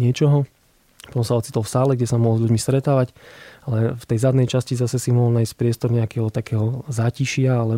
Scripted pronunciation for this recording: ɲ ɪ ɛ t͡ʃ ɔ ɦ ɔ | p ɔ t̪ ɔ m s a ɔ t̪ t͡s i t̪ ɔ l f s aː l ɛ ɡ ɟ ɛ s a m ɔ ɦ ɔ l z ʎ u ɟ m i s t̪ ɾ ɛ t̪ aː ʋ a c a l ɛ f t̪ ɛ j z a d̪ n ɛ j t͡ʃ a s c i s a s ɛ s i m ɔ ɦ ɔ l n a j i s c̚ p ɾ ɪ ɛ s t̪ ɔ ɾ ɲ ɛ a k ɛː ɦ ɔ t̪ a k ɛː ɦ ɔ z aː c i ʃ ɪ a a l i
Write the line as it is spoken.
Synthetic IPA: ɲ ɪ ɛ t͡ʃ ɔ ɦ ɔ | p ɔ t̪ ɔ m s a ɔ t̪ t͡s i t̪ ɔ l f s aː l ɛ ɡ ɟ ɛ s a m ɔ ɦ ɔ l z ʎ u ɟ m i s t̪ ɾ ɛ t̪ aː ʋ a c a l ɛ f t̪ ɛ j z a d̪ n ɛ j t͡ʃ a s c i z a s ɛ s i m ɔ ɦ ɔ l n a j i s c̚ p ɾ ɪ ɛ s t̪ ɔ ɾ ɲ ɛ a k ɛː ɦ ɔ t̪ a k ɛː ɦ ɔ z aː c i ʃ ɪ a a l ɛ